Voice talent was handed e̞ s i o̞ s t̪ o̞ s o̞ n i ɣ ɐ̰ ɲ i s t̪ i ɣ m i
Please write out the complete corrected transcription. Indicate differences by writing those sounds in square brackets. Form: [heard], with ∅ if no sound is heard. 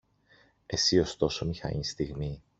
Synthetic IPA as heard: e̞ s i o̞ s t̪ o̞ s o̞ [m] i [x] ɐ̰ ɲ i s t̪ i ɣ m i